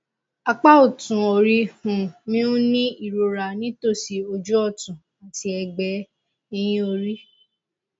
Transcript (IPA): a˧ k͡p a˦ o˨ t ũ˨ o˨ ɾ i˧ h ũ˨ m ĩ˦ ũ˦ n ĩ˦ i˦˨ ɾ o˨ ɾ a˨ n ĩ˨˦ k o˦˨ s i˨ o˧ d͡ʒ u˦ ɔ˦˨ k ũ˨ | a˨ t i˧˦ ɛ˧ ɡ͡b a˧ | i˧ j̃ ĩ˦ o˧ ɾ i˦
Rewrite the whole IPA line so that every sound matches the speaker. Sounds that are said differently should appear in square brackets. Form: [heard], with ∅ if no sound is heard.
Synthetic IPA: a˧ k͡p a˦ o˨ t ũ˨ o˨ ɾ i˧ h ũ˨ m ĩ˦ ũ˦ n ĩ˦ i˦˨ ɾ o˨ ɾ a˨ n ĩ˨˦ [t] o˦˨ s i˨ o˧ d͡ʒ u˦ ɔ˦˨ [t] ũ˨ | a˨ t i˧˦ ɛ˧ ɡ͡b [ɛ˧] | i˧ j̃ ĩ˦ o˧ ɾ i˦